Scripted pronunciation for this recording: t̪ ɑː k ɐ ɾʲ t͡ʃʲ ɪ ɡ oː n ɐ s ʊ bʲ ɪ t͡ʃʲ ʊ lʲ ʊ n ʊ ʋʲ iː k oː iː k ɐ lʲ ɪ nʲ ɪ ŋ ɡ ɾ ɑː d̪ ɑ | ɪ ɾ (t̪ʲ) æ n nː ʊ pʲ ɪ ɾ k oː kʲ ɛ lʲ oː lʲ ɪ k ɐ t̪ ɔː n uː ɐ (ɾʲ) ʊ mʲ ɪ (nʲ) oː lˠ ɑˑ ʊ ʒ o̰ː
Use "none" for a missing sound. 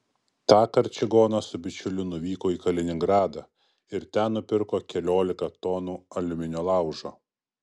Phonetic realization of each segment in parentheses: t̪ʲ, lʲ, nʲ

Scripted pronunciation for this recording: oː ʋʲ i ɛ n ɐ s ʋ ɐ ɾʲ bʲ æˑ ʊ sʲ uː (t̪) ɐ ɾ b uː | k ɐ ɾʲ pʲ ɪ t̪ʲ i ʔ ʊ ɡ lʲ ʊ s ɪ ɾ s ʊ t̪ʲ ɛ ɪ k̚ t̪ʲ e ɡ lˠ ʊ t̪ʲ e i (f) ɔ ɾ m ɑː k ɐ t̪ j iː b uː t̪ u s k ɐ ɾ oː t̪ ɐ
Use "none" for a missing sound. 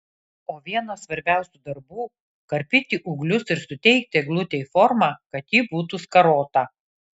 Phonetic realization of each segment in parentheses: d̪, f

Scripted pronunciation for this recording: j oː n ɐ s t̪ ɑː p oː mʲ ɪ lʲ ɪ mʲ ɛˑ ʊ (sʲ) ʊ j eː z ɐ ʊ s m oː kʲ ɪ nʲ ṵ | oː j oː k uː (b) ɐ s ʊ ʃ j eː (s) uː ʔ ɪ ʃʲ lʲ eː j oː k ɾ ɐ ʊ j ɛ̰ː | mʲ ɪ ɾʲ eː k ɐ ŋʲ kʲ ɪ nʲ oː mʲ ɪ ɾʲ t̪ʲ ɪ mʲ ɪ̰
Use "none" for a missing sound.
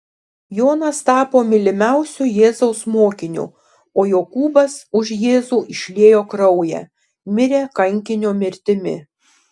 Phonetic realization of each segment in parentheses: sʲ, b, z

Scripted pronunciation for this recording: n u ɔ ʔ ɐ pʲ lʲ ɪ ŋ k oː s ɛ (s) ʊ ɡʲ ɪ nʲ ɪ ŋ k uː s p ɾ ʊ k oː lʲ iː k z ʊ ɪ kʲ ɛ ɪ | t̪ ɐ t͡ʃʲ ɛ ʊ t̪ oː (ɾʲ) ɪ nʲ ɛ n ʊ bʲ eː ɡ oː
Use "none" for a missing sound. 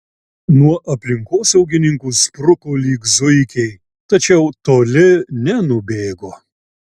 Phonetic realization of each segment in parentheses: none, lʲ

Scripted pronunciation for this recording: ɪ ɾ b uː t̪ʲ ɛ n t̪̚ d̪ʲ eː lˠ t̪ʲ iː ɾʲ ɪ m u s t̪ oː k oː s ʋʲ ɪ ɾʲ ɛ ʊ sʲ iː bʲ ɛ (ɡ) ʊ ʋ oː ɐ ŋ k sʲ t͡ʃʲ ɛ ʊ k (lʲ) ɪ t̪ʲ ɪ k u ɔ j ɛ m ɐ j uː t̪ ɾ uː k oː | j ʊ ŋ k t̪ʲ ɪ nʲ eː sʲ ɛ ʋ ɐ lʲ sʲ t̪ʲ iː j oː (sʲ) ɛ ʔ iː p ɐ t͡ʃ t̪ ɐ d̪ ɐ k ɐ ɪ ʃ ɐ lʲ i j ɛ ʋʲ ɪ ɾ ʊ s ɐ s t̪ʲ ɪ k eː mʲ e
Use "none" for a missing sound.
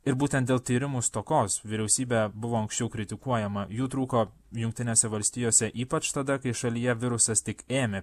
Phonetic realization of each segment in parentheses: b, ɾʲ, sʲ

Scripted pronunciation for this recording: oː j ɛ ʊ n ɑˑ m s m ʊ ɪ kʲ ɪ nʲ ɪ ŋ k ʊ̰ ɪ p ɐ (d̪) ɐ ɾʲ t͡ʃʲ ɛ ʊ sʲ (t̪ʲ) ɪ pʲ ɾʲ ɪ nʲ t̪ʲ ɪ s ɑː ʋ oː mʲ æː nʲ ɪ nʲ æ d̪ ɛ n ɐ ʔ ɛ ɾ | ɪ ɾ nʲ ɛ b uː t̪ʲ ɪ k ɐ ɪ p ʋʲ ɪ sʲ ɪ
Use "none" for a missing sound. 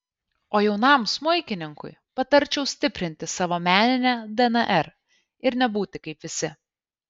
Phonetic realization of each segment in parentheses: t̪, t̪ʲ

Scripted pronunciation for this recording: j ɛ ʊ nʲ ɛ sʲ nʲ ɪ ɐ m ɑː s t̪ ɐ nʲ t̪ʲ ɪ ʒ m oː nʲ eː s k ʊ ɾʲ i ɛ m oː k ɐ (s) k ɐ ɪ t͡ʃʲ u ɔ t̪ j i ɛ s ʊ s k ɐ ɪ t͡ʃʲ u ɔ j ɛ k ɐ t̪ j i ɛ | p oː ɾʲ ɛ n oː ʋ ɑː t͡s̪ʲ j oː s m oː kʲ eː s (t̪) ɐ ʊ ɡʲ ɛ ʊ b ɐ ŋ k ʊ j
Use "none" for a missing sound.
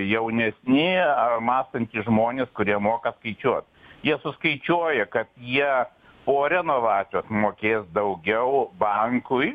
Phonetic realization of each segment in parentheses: s, d̪

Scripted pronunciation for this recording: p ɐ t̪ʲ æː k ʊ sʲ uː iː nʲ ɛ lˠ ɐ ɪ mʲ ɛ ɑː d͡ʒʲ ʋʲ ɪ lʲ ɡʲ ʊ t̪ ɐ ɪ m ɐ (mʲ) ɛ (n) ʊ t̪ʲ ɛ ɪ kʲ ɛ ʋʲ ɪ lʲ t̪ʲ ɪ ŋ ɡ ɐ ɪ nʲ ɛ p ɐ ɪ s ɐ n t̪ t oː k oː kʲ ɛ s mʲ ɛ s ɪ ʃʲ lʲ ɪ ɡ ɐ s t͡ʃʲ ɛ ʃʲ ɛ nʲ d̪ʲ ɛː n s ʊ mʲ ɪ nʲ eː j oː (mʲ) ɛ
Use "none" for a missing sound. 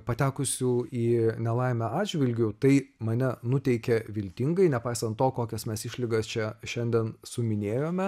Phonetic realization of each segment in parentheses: nʲ, n, mʲ

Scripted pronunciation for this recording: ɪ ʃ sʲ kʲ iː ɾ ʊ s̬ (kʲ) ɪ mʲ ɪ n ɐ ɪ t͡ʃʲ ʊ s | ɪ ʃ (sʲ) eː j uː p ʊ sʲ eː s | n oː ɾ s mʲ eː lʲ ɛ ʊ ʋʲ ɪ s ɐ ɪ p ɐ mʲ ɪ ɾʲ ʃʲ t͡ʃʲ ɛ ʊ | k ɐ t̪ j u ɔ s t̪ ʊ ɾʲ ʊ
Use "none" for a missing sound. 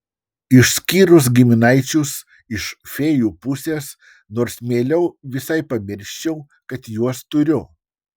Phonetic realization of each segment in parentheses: ɡʲ, fʲ

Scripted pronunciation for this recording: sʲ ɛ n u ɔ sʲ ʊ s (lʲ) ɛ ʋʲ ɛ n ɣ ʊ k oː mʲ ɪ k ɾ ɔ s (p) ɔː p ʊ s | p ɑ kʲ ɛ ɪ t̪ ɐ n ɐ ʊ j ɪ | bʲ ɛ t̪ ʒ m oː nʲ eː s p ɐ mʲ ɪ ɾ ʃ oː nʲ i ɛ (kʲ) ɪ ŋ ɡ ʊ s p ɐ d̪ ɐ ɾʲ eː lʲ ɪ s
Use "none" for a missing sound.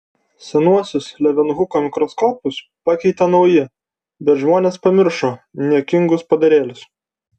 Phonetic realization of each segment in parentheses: lʲ, k, kʲ

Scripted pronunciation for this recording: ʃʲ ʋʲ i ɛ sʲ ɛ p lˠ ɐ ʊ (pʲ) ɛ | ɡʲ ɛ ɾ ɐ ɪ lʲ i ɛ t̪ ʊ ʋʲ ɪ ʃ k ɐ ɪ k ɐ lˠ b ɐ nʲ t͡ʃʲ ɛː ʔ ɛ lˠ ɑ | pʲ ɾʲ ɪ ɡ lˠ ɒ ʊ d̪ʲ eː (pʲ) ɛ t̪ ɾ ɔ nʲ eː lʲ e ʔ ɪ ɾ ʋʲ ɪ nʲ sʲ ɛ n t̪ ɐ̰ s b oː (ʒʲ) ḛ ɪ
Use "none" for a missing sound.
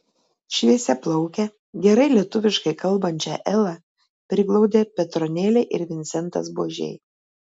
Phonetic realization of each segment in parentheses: kʲ, pʲ, ʒʲ

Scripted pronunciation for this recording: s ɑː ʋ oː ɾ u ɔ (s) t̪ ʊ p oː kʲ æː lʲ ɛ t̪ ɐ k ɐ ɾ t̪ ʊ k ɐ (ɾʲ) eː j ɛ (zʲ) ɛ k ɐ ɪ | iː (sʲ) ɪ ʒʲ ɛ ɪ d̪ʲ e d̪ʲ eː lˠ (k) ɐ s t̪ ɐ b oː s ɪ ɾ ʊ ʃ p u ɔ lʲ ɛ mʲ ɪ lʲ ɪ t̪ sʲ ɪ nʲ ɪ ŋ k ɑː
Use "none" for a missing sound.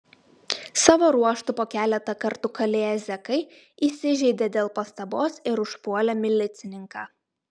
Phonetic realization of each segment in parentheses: ʃ, lʲ, zʲ, sʲ, p

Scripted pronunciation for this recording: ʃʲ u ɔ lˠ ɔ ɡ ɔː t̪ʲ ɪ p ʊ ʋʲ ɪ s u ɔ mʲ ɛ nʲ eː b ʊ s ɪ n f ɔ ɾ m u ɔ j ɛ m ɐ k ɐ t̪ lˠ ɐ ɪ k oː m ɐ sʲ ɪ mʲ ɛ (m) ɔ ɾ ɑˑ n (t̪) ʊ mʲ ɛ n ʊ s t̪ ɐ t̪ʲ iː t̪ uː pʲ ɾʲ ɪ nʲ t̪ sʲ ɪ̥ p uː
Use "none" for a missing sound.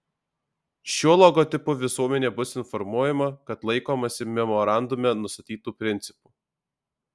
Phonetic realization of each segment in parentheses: m, d̪

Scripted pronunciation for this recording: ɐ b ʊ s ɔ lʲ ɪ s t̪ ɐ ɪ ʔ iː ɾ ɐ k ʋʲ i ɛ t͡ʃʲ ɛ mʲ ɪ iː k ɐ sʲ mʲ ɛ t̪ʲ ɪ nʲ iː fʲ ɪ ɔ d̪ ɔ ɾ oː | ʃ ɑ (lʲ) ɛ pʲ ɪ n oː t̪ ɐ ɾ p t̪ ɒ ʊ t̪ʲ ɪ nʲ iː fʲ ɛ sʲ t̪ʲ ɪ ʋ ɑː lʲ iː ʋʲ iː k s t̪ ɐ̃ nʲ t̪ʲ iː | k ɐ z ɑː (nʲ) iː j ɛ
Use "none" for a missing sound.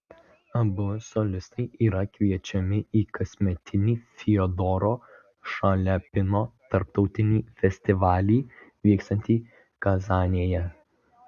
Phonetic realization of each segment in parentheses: lʲ, nʲ

